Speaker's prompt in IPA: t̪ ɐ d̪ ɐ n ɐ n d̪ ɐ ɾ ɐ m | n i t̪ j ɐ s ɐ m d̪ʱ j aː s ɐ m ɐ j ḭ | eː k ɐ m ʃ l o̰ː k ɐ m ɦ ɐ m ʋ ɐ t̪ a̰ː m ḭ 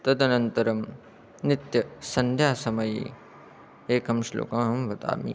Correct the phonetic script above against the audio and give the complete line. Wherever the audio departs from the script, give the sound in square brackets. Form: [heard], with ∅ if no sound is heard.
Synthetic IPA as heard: t̪ ɐ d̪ ɐ n ɐ n [t̪] ɐ ɾ ɐ m | n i t̪ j ɐ s ɐ [n] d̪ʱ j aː s ɐ m ɐ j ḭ | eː k ɐ m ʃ l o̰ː k ɐ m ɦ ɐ m ʋ ɐ t̪ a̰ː m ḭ